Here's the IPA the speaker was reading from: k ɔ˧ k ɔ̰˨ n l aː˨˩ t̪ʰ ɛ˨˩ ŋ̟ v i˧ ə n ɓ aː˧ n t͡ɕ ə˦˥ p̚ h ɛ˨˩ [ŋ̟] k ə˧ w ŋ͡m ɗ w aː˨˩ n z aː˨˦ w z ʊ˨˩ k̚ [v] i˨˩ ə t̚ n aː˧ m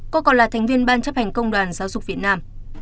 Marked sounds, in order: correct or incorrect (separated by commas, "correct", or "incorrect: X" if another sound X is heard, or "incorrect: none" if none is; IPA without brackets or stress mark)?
correct, correct